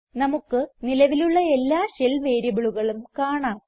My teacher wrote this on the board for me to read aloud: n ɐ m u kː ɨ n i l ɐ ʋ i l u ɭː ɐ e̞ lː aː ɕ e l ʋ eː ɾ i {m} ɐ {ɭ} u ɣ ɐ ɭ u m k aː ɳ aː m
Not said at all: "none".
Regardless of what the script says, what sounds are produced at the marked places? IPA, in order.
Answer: b, ɭ

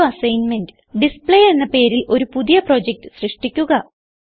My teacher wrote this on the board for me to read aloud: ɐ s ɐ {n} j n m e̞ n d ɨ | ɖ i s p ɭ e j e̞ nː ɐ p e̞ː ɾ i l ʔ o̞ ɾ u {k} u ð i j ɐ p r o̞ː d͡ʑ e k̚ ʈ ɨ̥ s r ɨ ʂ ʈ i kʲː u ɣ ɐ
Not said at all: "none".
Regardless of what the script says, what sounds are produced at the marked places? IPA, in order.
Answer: none, p

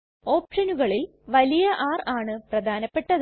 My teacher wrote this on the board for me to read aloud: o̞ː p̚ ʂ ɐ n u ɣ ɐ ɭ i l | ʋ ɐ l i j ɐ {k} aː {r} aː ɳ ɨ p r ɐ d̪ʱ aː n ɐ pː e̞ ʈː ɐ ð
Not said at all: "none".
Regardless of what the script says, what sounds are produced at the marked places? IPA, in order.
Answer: ʔ, r

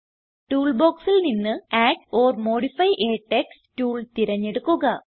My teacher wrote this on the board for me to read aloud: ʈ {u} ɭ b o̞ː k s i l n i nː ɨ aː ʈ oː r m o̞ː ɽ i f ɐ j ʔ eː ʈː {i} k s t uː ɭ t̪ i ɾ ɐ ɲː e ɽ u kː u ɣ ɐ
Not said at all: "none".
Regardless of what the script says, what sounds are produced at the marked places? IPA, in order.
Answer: uː, e

